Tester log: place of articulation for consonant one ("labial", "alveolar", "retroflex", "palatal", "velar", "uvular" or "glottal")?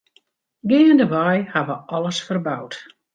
velar